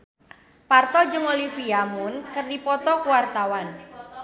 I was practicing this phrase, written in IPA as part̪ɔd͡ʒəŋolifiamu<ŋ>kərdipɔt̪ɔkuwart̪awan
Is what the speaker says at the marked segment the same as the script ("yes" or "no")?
no